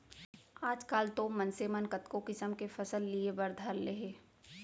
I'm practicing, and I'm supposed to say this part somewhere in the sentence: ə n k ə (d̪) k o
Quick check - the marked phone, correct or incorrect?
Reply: incorrect